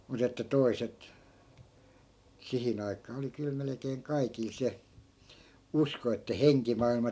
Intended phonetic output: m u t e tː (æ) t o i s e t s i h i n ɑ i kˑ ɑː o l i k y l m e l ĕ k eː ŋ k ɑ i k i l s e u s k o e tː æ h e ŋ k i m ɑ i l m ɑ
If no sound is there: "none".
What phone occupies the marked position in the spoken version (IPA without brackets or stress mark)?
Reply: æ